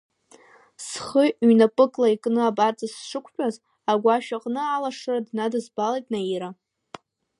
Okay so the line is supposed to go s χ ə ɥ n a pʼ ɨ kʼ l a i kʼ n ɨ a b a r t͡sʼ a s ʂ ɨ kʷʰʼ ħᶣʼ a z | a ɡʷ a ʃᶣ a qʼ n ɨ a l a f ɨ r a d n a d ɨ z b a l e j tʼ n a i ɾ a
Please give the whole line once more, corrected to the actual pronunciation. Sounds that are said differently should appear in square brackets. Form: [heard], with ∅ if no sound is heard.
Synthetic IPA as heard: s χ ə ɥ n a pʼ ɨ kʼ l a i kʼ n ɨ a b a r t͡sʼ a s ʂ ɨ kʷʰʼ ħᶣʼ a z | a ɡʷ a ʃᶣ a qʼ n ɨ a l a [ʂ] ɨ r a d n a d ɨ z b a l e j tʼ n a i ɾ a